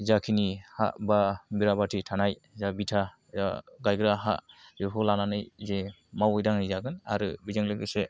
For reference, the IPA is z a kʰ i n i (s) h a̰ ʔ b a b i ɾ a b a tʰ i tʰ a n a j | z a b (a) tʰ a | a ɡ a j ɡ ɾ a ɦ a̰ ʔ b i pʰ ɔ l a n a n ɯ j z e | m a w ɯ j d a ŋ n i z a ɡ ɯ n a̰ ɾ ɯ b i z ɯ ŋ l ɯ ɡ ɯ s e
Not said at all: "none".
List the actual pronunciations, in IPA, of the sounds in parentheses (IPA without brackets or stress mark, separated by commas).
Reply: none, i